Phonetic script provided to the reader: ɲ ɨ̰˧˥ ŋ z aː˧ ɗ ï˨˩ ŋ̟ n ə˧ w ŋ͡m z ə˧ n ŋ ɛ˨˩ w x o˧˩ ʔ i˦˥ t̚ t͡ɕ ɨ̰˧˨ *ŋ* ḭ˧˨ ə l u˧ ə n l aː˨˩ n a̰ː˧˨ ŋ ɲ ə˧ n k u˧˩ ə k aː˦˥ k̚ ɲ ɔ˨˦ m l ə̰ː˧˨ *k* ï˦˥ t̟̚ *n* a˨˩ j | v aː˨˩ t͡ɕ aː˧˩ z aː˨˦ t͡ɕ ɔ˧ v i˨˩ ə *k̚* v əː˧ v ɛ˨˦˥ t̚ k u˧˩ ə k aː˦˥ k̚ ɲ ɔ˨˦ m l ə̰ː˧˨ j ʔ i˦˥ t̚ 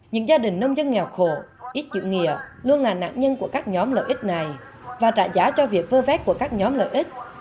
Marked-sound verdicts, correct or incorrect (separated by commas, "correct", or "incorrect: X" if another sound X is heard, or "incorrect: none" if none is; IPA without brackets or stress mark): correct, incorrect: ʔ, correct, correct